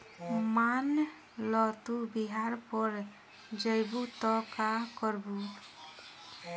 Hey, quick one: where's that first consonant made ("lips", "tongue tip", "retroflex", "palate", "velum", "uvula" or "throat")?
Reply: lips